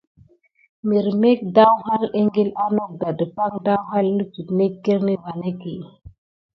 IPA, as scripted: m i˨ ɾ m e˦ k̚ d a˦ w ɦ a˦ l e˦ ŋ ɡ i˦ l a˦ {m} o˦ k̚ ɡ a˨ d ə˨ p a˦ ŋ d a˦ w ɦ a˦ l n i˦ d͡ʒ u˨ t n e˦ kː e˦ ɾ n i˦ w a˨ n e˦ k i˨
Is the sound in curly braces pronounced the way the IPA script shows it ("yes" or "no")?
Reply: no